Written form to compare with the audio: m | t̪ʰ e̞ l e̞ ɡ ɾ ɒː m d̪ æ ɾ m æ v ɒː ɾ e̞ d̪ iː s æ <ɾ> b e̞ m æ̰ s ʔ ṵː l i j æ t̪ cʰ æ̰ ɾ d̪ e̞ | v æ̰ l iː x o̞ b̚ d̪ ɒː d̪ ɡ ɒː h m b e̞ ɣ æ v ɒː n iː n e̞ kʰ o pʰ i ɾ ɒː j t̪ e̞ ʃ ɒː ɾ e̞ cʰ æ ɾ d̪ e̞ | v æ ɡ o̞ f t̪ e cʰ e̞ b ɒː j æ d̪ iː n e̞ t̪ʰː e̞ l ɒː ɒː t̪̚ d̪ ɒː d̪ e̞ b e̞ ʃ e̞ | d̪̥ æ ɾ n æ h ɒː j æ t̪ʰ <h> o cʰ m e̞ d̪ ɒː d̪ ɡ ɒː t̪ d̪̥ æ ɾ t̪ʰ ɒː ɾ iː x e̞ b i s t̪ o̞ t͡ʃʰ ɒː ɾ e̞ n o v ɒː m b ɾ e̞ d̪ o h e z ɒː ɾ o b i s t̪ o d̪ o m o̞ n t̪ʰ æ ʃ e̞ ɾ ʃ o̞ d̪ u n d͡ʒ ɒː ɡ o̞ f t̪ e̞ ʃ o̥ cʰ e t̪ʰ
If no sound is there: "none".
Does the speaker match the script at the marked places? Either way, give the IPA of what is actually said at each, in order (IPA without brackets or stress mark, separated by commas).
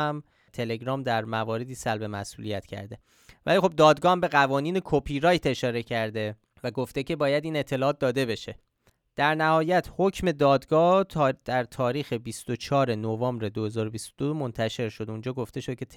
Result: l, h